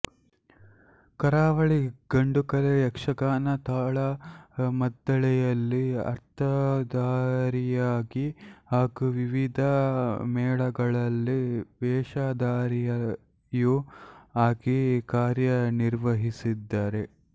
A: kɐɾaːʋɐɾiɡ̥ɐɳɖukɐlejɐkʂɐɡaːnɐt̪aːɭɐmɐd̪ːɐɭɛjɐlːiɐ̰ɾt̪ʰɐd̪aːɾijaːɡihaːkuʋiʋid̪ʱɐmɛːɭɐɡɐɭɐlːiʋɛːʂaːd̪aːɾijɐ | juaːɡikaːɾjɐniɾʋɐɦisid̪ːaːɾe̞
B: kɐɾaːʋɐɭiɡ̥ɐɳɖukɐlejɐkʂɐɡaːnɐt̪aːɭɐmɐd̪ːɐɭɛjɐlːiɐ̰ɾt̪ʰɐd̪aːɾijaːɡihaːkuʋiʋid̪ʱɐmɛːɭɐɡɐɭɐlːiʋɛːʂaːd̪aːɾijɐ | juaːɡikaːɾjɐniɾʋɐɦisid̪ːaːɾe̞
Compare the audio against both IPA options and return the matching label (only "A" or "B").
B